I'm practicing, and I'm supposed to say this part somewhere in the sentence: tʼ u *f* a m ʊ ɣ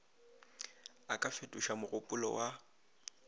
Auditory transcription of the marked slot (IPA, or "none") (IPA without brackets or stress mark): ʃ